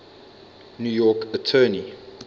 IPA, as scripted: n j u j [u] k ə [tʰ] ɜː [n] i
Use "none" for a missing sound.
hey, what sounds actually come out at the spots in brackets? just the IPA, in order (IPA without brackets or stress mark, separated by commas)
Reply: ɔ, tʰ, n